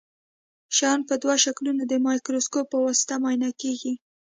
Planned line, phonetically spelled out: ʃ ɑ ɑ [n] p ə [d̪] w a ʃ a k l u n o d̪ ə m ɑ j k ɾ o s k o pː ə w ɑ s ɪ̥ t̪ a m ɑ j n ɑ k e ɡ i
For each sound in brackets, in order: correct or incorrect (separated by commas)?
correct, correct